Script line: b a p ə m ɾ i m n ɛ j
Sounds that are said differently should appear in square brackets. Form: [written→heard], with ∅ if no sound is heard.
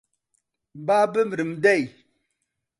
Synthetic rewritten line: b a [p→b] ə m ɾ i m [n→d] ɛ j